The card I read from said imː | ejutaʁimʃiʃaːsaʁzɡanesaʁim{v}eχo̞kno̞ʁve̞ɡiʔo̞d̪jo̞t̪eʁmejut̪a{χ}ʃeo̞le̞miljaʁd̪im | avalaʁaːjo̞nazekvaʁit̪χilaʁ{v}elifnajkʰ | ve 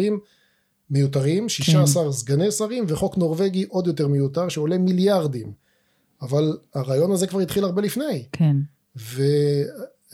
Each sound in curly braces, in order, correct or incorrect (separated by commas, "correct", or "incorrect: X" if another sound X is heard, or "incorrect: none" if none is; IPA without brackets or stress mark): correct, incorrect: ʁ, incorrect: b